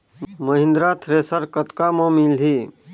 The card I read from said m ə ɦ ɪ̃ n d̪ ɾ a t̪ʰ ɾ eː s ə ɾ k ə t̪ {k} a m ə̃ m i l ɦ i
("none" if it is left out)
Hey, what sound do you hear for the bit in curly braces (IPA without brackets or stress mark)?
k